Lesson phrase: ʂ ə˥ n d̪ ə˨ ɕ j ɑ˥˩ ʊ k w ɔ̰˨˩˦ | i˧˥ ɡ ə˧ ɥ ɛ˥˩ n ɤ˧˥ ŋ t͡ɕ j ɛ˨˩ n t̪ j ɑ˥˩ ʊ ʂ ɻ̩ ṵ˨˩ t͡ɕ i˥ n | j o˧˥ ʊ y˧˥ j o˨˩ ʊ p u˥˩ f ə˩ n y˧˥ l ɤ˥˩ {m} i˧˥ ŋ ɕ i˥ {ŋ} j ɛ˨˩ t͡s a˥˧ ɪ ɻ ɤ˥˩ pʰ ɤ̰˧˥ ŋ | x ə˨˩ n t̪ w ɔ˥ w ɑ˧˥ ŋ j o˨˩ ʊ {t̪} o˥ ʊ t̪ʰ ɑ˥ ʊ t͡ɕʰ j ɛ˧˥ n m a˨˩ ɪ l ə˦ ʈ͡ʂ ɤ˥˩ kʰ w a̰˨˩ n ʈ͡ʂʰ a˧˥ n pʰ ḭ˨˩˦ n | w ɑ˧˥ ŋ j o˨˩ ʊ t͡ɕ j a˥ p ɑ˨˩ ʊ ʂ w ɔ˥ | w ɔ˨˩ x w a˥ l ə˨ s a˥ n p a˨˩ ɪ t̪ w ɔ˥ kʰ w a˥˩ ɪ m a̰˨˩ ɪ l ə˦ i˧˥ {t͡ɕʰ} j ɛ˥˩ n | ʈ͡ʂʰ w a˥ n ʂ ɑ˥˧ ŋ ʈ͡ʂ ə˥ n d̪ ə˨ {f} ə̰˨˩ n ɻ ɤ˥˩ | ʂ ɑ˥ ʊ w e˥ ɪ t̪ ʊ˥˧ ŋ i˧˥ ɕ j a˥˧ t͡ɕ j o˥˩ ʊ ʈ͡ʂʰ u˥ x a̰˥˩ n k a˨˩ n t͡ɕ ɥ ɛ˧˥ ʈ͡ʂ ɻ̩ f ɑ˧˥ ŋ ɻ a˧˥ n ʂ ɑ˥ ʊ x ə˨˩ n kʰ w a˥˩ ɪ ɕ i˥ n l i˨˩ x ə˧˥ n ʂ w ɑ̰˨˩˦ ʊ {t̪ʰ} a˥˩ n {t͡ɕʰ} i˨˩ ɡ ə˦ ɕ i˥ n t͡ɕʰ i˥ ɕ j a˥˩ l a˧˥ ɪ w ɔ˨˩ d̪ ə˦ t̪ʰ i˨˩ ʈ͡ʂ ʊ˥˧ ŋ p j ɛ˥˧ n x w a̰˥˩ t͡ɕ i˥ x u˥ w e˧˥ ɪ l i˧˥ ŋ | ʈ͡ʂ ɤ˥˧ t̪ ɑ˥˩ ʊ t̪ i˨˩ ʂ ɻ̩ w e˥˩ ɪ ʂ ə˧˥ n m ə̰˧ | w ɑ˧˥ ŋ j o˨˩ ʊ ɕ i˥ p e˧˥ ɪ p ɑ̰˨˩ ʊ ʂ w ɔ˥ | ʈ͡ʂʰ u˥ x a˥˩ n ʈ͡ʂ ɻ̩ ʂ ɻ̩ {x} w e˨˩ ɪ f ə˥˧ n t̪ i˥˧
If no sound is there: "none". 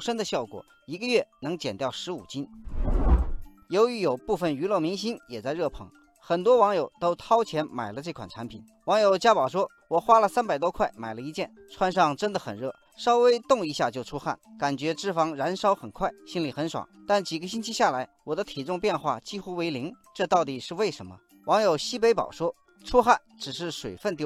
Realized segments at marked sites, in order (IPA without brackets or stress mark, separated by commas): m, n, t̪, t͡ɕ, x, t̪, t͡ɕ, ʂ